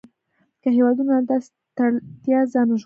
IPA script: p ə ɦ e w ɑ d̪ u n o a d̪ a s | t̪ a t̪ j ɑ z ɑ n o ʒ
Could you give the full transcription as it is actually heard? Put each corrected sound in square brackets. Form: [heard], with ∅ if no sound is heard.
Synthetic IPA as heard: [k] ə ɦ e w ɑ d̪ u n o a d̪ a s | t̪ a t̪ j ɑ z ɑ n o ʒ